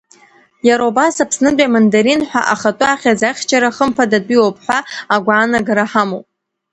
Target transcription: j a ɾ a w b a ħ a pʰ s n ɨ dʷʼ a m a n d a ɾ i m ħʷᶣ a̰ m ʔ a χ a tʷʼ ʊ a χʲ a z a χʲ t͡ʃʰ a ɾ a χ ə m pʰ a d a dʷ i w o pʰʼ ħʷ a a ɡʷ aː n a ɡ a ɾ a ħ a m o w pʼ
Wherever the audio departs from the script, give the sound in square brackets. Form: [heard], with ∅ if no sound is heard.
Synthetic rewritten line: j a ɾ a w b a [s] a pʰ s n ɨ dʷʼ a m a n d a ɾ i [n] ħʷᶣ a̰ [∅] ʔ a χ a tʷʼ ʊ a χʲ a z a χʲ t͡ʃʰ a ɾ a χ ə m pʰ a d a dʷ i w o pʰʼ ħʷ a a ɡʷ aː n a ɡ a ɾ a ħ a m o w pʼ